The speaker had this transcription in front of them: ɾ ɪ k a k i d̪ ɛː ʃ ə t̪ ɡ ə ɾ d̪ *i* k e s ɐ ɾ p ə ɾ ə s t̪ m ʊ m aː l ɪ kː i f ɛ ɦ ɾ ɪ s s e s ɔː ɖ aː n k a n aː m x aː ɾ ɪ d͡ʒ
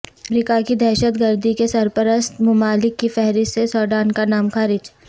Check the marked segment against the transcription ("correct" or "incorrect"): correct